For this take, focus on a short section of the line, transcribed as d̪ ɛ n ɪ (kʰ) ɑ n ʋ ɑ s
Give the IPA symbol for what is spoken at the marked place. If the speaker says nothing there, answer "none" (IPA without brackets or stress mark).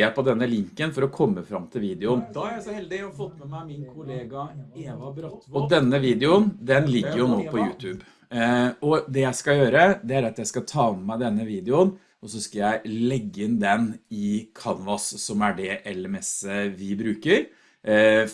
kʰ